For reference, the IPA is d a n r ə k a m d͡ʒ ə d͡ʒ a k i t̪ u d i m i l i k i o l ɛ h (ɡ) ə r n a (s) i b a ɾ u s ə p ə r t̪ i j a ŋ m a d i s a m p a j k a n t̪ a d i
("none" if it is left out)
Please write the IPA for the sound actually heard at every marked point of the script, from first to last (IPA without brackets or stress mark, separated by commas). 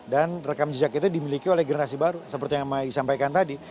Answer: ɡ, s